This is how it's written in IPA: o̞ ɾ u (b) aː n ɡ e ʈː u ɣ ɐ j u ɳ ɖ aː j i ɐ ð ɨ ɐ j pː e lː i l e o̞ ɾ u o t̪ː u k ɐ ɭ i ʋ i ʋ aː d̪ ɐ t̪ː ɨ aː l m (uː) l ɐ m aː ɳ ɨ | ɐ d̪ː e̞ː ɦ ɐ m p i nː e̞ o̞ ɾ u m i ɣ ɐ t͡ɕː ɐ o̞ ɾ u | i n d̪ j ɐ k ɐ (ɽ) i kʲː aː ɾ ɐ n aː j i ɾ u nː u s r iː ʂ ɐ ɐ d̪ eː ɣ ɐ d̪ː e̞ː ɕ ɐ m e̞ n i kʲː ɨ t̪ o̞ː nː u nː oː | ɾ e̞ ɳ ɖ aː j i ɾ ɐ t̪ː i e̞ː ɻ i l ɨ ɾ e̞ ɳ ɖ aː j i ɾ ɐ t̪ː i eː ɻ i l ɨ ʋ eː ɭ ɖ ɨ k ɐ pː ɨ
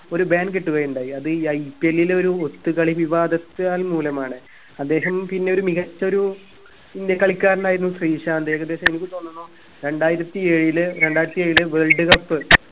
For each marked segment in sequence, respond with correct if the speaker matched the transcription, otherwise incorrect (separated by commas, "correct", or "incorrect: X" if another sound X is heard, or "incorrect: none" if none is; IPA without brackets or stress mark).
correct, correct, incorrect: ɭ